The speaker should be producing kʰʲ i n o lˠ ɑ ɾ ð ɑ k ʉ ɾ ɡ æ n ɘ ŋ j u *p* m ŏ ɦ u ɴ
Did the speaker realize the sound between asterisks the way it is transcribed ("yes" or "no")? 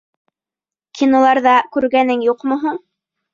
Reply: no